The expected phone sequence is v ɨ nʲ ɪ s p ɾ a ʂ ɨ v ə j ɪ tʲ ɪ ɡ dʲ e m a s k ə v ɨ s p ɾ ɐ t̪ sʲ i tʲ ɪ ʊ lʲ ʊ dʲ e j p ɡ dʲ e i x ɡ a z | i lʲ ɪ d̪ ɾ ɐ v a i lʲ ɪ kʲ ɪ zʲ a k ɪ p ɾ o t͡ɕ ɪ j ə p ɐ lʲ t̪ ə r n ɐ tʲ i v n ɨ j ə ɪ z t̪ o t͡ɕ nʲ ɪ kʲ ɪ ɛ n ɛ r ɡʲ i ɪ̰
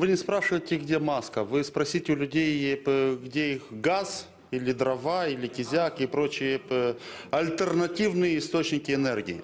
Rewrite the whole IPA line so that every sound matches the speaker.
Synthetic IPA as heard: v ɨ nʲ ɪ s p ɾ a ʂ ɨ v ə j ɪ tʲ ɪ ɡ dʲ e m a s k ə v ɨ s p ɾ ɐ sʲ i tʲ ɪ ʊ lʲ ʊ dʲ e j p ɡ dʲ e i x ɡ a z | i lʲ ɪ d̪ ɾ ɐ v a i lʲ ɪ kʲ ɪ zʲ a k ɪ p ɾ o t͡ɕ ɪ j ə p ɐ lʲ t̪ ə r n ɐ tʲ i v n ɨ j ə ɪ s t̪ o t͡ɕ nʲ ɪ kʲ ɪ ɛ n ɛ r ɡʲ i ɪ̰